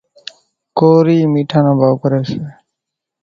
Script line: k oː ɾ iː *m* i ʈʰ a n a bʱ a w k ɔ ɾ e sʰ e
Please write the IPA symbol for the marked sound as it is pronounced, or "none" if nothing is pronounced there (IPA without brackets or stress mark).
m